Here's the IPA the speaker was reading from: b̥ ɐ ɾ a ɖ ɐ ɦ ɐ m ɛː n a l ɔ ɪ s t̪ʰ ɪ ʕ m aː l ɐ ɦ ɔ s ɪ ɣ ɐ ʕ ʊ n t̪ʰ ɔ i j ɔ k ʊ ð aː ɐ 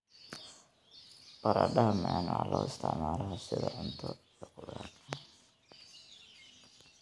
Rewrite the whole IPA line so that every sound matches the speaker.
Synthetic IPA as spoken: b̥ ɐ ɾ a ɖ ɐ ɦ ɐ m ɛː n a l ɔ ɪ s t̪ʰ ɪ ʕ m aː l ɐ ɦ ɔ s ɪ ð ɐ ʕ ʊ n t̪ʰ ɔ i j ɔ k ʊ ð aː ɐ

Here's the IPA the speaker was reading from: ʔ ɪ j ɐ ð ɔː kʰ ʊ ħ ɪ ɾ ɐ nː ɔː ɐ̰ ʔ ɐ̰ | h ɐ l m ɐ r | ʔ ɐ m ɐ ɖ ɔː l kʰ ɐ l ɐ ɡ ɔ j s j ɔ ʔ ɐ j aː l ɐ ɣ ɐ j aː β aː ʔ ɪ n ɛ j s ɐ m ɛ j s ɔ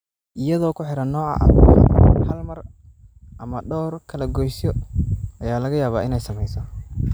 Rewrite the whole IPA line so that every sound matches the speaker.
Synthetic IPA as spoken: ʔ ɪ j ɐ ð ɔː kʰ ʊ ħ ɪ ɾ ɐ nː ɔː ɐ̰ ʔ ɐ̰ | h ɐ l m ɐ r | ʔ ɐ m ɐ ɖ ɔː r kʰ ɐ l ɐ ɡ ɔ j s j ɔ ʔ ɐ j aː l ɐ ɣ ɐ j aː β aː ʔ ɪ n ɛ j s ɐ m ɛ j s ɔ

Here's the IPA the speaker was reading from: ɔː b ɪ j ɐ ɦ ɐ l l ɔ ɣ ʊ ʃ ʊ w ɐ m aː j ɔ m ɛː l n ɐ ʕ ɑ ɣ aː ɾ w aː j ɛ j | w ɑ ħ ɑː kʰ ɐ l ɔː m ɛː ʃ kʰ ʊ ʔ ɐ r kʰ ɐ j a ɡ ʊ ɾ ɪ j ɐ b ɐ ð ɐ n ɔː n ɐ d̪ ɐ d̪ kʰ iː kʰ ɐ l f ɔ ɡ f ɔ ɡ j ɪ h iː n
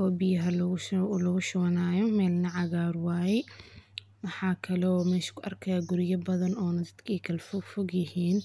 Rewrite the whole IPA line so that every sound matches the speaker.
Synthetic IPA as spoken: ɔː b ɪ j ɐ ɦ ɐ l l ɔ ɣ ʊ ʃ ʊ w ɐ n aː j ɔ m ɛː l n ɐ ʕ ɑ ɣ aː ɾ w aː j ɛ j | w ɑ ħ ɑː kʰ ɐ l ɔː m ɛː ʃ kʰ ʊ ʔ ɐ r kʰ ɐ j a ɡ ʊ ɾ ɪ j ɐ b ɐ ð ɐ n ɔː n ɐ d̪ ɐ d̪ kʰ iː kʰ ɐ l f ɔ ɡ f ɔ ɡ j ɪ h iː n

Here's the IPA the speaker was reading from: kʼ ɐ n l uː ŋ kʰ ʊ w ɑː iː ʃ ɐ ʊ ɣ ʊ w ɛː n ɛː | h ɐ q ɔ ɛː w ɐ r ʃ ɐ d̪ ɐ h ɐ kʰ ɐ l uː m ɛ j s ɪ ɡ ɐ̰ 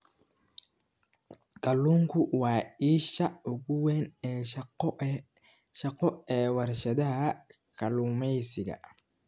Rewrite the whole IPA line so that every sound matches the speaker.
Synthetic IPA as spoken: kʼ ɐ l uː ŋ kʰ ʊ w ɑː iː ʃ ɐ ʊ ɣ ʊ w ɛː n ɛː | ʃ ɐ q ɔ ɛː w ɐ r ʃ ɐ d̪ ɐ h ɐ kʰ ɐ l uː m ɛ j s ɪ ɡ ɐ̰

